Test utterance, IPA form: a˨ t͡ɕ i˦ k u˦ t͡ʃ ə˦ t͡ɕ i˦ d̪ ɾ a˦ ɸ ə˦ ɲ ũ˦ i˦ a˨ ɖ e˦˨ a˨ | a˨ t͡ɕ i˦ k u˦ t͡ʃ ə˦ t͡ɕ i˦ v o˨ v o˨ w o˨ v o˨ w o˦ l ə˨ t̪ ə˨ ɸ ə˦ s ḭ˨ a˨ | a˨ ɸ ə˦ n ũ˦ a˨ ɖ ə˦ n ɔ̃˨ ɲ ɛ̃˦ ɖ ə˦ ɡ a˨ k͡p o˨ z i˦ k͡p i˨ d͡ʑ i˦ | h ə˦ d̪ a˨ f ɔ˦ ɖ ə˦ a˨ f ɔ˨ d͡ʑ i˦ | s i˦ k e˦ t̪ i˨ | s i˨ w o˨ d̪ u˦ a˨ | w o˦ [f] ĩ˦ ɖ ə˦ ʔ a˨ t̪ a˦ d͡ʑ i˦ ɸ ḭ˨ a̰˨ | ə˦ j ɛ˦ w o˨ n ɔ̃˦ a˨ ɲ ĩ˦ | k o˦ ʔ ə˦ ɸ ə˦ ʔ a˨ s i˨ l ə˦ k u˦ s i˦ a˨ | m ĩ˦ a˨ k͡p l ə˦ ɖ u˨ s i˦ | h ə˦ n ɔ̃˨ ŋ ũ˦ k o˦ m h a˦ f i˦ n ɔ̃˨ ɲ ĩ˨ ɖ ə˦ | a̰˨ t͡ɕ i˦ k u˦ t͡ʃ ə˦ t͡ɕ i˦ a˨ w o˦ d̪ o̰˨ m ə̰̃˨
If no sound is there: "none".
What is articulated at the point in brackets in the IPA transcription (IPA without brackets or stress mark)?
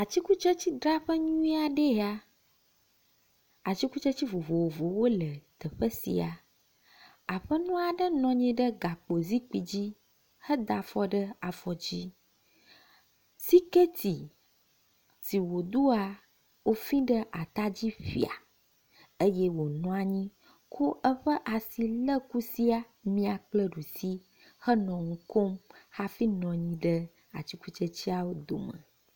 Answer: f